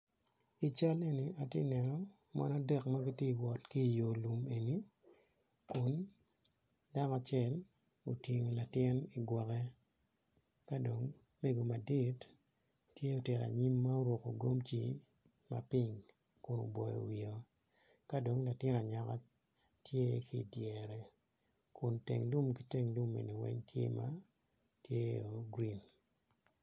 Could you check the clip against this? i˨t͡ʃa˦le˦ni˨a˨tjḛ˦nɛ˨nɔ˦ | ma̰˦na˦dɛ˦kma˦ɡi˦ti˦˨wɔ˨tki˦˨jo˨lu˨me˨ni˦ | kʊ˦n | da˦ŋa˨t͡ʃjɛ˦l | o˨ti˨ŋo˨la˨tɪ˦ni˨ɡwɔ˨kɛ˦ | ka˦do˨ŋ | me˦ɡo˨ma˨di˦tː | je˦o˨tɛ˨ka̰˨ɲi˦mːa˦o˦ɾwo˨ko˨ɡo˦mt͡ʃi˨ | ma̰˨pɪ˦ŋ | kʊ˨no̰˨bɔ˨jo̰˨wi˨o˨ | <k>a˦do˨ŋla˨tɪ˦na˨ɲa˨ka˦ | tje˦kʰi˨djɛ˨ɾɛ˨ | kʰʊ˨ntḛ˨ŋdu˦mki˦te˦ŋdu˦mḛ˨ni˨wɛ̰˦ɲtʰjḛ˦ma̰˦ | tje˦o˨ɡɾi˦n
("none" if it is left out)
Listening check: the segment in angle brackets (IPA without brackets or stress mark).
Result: k